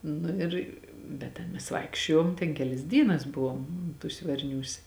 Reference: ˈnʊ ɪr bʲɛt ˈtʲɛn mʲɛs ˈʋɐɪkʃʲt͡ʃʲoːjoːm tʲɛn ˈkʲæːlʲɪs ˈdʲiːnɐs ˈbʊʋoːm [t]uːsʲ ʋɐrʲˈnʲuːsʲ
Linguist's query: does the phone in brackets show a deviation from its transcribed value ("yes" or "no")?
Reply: no